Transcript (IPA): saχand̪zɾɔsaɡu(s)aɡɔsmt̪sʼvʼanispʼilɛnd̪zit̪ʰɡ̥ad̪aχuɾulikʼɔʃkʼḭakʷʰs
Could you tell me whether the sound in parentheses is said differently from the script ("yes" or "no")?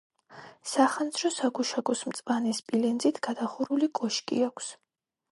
yes